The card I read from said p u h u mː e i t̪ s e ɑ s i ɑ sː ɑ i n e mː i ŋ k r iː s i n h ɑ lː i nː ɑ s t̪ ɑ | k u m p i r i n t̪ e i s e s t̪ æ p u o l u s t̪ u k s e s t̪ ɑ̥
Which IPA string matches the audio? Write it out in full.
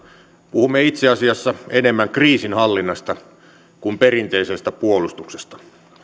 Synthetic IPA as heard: p u h u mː e i t̪ s e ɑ s i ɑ sː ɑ e n e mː æ ŋ k r iː s i n h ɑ lː i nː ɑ s t̪ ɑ | k u m p e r i n t̪ e i s e s t̪ æ p u o l u s t̪ u k s e s t̪ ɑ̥